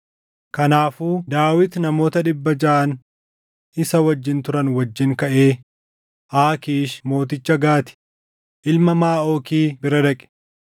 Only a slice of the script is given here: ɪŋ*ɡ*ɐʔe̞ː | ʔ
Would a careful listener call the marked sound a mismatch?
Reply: yes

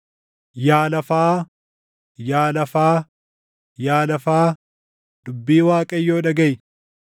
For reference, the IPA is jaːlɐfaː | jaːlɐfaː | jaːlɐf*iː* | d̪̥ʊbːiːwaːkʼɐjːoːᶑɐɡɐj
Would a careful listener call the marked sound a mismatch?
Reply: yes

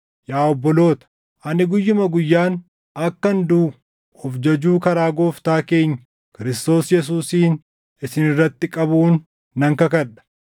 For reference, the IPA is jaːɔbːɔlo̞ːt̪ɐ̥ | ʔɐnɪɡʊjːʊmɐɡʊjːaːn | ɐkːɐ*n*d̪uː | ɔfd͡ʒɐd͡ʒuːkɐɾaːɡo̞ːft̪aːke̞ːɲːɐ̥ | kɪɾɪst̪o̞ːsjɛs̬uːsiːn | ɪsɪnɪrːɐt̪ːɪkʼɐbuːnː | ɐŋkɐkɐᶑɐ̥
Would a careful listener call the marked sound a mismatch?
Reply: no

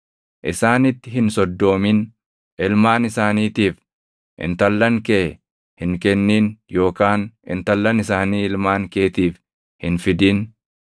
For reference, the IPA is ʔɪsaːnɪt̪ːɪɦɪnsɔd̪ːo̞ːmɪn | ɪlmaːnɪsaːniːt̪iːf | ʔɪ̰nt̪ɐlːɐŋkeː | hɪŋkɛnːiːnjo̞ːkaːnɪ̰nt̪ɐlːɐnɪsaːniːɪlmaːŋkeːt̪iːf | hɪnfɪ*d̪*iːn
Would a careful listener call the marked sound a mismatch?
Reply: no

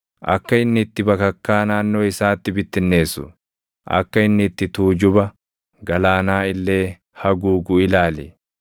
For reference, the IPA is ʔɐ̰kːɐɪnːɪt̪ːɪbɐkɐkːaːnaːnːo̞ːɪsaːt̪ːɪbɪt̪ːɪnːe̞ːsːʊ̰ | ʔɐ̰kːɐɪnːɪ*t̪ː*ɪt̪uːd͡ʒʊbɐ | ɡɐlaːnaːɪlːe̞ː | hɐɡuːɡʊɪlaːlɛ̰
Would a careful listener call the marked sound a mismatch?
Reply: no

